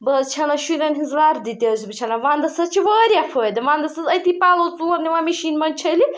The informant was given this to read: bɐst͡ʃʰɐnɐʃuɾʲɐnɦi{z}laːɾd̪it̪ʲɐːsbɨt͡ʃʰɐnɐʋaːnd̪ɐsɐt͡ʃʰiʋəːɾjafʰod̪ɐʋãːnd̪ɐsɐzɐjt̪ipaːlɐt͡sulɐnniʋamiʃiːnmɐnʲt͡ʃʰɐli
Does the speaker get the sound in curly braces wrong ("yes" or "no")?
no